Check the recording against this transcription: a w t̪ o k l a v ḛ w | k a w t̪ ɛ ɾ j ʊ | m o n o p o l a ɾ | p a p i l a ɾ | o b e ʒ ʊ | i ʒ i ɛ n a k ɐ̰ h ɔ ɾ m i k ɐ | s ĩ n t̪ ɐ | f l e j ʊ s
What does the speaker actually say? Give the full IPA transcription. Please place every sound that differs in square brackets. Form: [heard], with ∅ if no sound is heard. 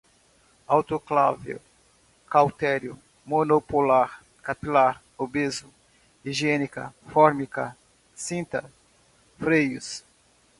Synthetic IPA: a w t̪ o k l a v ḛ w | k a w t̪ ɛ ɾ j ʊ | m o n o p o l a ɾ | [k] a p i l a ɾ | o b e [z] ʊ | i ʒ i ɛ n [i] k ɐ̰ [f] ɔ ɾ m i k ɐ | s ĩ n t̪ ɐ | f [ɾ] e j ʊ s